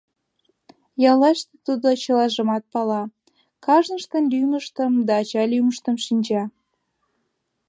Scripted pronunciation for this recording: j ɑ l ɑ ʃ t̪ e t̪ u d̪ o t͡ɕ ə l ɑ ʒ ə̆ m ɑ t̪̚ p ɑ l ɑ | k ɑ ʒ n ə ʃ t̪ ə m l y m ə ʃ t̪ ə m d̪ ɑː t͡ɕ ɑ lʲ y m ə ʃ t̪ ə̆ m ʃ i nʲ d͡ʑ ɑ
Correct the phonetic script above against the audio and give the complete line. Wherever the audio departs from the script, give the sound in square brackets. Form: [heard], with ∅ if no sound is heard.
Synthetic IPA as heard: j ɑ l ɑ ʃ t̪ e t̪ u d̪ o t͡ɕ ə l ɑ ʒ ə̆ m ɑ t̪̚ p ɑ l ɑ | k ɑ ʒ n ə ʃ t̪ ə [n] l y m ə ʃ t̪ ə m d̪ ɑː t͡ɕ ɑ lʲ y m ə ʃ t̪ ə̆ m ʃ i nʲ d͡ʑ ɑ